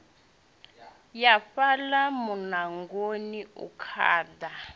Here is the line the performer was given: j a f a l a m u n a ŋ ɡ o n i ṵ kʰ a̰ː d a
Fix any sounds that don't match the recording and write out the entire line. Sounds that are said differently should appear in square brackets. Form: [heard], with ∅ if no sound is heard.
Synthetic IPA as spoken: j a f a l a m u n a ŋ ɡ o n i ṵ kʰ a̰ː d a